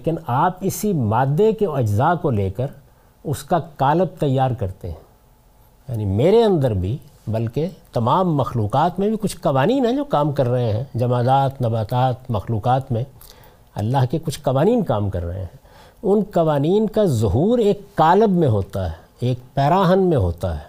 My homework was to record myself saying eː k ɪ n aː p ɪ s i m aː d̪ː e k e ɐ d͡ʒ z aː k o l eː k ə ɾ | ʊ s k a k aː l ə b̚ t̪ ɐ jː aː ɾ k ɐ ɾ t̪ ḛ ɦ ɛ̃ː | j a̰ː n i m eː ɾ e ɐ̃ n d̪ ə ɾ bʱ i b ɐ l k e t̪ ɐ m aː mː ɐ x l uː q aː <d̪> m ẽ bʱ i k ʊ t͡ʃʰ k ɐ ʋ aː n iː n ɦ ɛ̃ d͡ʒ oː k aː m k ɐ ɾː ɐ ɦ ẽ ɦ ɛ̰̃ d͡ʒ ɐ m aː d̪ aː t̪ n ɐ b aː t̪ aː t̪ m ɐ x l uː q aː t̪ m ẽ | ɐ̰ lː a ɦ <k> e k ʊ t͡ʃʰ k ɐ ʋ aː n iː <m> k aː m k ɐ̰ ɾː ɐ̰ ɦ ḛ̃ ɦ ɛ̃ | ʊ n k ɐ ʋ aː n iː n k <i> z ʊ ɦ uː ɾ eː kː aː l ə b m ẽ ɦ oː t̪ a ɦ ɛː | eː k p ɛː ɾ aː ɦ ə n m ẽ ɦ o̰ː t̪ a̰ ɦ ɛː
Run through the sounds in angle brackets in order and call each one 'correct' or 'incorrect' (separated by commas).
incorrect, correct, incorrect, incorrect